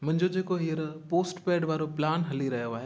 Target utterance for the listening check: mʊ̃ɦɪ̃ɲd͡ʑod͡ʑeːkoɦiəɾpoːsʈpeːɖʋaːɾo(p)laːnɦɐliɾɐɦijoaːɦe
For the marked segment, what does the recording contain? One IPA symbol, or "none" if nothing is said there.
p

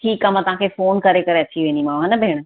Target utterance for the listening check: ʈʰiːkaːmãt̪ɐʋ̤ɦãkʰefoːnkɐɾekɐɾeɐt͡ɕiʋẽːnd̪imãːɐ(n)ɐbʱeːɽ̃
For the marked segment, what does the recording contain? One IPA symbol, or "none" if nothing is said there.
n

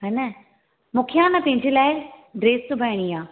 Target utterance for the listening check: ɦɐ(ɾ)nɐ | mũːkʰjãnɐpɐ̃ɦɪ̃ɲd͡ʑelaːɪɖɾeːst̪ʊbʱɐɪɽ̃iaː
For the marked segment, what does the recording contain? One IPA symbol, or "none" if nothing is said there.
none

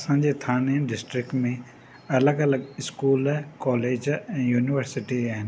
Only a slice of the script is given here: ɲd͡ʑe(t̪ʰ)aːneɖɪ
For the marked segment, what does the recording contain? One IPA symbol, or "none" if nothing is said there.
t̪ʰ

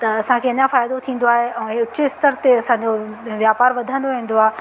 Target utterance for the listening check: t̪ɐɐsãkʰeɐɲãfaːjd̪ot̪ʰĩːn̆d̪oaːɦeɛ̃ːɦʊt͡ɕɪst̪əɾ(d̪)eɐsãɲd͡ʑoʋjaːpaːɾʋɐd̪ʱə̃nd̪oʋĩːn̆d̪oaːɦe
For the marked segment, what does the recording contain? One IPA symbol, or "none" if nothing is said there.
t̪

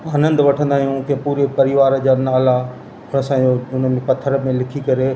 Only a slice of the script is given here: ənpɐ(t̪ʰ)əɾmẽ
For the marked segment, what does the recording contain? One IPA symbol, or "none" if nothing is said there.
t̪ʰ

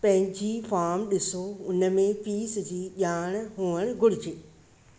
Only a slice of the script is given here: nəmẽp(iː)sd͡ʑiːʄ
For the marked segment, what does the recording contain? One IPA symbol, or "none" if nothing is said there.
iː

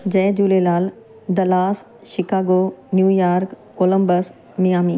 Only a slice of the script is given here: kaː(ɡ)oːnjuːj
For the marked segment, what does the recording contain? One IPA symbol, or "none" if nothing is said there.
ɡ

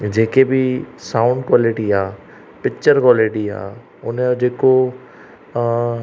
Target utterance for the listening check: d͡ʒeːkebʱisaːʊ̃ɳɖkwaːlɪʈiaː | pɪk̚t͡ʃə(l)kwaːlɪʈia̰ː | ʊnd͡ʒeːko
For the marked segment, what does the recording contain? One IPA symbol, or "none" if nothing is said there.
ɾ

